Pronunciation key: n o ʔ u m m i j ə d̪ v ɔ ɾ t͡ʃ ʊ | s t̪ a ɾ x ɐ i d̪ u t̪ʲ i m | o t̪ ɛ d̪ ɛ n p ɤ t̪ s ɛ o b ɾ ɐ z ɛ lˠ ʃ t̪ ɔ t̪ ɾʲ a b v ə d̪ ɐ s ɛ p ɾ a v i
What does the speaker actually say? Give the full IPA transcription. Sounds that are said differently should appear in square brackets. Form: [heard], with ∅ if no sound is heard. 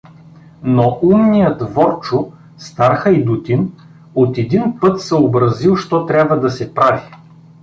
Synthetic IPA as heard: n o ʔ u m [n] i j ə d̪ v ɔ ɾ t͡ʃ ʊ | s t̪ a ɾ x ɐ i d̪ u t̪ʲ i [n] | o t̪ ɛ d̪ [i] n p ɤ t̪ s ɛ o b ɾ ɐ z [i] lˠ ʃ t̪ ɔ t̪ ɾʲ a b v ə d̪ ɐ s ɛ p ɾ a v i

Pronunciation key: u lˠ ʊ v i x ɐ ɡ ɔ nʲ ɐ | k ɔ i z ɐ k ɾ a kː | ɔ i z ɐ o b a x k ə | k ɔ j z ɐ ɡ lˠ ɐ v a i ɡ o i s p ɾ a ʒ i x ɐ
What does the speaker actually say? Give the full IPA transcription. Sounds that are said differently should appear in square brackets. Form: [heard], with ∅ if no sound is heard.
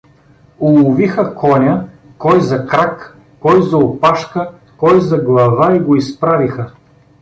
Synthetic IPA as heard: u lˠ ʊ v i x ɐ [k] ɔ nʲ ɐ | k ɔ [j] z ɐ k ɾ a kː | ɔ [j] z ɐ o [p] a [ʃ] k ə | k ɔ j z ɐ ɡ lˠ ɐ v a i ɡ o i s p ɾ a [v] i x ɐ

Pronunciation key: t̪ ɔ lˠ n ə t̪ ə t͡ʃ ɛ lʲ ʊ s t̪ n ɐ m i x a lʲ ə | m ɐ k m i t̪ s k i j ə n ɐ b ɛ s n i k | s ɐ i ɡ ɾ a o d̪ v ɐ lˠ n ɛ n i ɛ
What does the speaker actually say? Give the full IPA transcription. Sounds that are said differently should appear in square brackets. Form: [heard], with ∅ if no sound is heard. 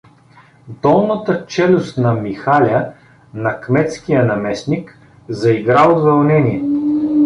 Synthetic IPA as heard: [d̪] ɔ lˠ n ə t̪ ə t͡ʃ ɛ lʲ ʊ s t̪ n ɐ m i x a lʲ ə | [n] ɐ k m [ɛ] t̪ s k i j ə n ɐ [m] ɛ s n i k | [z] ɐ i ɡ ɾ a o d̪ v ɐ lˠ n ɛ n i ɛ

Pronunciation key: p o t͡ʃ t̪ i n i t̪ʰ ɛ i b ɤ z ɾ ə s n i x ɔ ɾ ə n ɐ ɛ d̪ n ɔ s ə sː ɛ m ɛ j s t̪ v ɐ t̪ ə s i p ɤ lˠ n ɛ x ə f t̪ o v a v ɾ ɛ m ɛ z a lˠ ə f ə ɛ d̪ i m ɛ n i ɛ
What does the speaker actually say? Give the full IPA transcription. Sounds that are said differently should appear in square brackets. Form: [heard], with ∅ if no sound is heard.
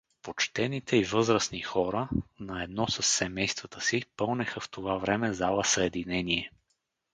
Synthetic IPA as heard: p o t͡ʃ t̪ [ɛ] n i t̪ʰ ɛ i [v] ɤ z ɾ ə s n i x ɔ ɾ ə n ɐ ɛ d̪ n ɔ s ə sː ɛ m ɛ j s t̪ v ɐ t̪ ə s i p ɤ lˠ n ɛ x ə f t̪ o v a v ɾ ɛ m ɛ z a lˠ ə [s] ə ɛ d̪ i [n] ɛ n i ɛ

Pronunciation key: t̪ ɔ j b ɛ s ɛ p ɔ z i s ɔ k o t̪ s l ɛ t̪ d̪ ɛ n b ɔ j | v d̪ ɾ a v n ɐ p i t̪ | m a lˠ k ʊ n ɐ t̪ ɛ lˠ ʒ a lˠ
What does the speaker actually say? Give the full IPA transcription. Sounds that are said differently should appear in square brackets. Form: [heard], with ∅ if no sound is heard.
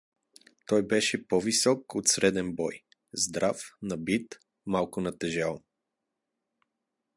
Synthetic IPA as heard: t̪ ɔ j b ɛ [ʃ] ɛ p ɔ [v] i s ɔ k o t̪ s [ɾ] ɛ [∅] d̪ ɛ n b ɔ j | [z] d̪ ɾ a [f] n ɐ [b] i t̪ | m a lˠ k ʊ n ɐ t̪ ɛ [∅] ʒ a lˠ

